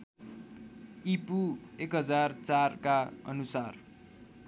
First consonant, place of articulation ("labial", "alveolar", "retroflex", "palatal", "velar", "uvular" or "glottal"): labial